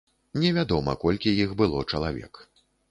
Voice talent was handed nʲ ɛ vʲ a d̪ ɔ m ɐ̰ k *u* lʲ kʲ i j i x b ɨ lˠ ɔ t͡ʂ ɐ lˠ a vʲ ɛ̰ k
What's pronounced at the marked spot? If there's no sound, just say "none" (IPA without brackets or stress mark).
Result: ɔ